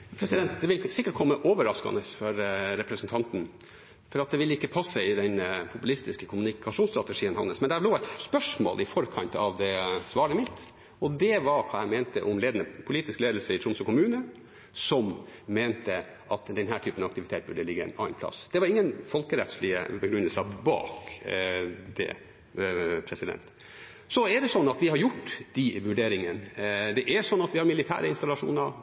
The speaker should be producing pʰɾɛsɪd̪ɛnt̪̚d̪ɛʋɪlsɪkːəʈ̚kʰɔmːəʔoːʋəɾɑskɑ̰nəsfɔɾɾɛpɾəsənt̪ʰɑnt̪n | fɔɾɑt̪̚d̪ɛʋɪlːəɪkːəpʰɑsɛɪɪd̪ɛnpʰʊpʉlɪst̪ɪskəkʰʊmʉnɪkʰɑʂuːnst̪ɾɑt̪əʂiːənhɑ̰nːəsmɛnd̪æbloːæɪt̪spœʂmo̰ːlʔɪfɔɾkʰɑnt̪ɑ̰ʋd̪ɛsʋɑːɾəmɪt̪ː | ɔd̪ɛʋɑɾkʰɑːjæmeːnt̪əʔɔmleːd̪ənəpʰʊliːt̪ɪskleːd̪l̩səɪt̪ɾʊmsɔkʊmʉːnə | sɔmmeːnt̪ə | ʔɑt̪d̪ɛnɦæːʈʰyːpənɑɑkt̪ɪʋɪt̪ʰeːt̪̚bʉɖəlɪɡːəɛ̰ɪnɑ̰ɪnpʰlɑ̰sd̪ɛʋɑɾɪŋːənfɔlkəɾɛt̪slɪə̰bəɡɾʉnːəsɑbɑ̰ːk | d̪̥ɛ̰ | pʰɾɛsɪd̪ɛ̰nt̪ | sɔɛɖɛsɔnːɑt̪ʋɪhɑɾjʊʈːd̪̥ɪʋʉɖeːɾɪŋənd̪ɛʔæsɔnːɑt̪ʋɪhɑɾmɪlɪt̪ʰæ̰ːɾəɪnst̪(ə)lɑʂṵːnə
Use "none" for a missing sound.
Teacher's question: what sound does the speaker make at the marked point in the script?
ɑ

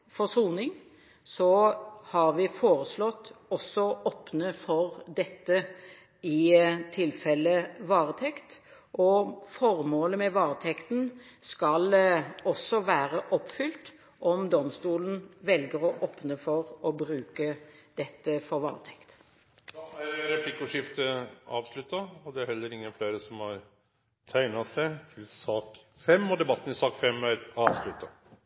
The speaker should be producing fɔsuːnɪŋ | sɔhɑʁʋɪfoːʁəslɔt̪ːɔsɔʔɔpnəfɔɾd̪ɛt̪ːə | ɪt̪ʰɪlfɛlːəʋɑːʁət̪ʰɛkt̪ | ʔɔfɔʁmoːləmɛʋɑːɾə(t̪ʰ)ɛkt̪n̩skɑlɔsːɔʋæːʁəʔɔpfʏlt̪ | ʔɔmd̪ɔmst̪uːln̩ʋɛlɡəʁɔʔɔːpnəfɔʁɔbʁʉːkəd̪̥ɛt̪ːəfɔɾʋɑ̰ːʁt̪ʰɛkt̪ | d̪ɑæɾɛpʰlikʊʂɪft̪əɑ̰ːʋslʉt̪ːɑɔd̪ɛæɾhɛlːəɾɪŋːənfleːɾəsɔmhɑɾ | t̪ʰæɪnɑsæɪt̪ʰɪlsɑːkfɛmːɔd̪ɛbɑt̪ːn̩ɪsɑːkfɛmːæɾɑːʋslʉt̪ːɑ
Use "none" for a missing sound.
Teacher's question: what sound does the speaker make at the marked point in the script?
t̪ʰ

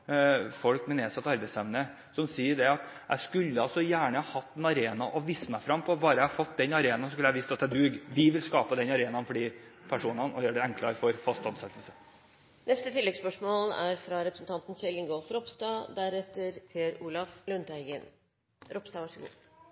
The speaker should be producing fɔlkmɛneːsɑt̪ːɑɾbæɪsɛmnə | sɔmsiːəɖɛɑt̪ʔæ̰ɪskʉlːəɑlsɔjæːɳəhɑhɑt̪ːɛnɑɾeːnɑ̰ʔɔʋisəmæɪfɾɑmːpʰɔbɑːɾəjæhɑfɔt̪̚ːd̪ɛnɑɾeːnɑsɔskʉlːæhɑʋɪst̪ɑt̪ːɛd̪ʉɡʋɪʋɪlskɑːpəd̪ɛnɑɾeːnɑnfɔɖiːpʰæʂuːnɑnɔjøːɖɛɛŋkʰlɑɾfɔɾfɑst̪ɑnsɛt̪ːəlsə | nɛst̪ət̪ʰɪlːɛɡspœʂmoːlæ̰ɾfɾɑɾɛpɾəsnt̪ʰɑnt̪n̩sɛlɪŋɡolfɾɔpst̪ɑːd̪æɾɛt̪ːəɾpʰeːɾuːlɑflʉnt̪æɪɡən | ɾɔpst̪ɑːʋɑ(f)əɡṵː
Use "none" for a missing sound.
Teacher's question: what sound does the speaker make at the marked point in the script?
ʂ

